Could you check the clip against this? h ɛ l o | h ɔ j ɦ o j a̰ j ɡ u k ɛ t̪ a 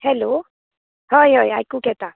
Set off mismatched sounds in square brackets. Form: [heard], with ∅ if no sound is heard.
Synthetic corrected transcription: h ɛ l o | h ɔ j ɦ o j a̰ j [k] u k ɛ t̪ a